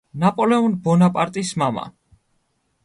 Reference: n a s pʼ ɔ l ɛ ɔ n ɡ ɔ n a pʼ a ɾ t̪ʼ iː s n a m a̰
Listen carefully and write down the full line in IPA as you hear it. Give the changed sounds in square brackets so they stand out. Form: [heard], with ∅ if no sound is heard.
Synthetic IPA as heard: n a [∅] pʼ ɔ l ɛ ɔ n [b] ɔ n a pʼ a ɾ t̪ʼ [i] s [m] a m a̰